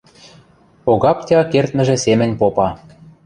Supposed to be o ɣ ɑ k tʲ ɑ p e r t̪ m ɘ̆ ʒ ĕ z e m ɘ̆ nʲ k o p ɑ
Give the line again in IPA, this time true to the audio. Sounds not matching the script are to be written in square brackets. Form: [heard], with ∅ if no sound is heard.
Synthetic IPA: o ɣ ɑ [p] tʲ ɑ [k] e r t̪ m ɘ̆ ʒ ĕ [s] e m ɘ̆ nʲ [p] o p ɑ